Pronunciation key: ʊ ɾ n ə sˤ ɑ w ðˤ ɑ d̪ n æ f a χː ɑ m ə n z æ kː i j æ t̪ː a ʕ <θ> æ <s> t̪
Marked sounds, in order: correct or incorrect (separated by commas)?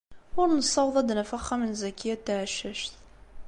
incorrect, incorrect